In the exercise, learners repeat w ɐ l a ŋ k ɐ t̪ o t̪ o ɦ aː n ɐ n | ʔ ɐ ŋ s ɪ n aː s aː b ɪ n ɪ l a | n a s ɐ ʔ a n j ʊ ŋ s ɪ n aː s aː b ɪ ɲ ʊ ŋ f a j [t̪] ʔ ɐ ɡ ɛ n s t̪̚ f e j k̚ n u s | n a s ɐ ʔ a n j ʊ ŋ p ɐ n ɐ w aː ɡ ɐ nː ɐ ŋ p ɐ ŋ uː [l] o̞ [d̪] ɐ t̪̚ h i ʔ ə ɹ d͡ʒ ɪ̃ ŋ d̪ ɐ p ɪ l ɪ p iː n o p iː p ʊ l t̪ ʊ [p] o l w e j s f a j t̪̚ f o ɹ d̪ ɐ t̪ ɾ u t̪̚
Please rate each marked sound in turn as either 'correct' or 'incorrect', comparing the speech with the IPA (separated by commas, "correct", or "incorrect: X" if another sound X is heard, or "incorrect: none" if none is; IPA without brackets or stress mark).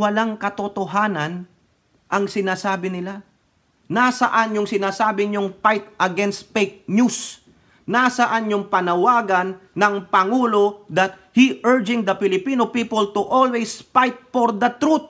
correct, correct, correct, incorrect: ʔ